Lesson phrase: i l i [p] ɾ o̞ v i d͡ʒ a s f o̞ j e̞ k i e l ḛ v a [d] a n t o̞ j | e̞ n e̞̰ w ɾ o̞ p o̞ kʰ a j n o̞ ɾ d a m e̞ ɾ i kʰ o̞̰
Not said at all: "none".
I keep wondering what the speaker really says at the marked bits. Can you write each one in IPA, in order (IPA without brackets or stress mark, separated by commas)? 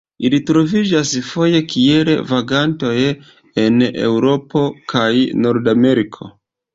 t, ɡ